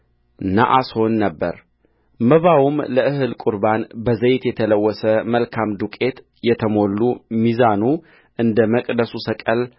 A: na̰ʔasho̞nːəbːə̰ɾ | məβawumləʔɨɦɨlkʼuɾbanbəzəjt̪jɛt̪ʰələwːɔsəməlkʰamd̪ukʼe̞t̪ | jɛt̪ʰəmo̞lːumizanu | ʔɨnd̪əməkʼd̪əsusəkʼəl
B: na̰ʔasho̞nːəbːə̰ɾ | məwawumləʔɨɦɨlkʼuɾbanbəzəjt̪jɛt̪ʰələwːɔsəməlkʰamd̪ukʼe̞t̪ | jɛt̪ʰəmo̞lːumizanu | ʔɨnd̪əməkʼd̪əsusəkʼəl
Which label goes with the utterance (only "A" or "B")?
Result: A